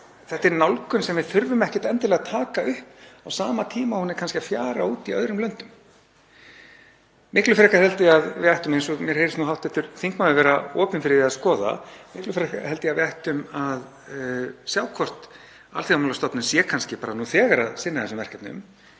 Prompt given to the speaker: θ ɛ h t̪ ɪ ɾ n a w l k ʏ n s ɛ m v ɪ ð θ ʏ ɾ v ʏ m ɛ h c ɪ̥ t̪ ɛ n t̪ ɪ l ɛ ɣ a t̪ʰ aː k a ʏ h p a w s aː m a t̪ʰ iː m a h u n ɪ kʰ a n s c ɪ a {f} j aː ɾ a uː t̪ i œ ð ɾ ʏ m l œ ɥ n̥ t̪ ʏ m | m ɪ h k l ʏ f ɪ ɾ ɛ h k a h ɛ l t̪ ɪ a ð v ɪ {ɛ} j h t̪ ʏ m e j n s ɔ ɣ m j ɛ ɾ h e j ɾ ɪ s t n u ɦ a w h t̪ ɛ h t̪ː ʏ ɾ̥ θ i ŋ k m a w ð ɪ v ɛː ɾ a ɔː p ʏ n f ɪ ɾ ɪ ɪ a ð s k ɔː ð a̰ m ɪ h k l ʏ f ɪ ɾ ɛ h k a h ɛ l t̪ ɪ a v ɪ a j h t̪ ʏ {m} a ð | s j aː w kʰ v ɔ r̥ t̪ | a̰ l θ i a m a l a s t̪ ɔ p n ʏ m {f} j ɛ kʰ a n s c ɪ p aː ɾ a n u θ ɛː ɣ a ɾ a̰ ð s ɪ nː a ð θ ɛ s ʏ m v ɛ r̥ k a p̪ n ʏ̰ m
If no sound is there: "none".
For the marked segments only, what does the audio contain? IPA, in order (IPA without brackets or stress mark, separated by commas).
f, a, m, s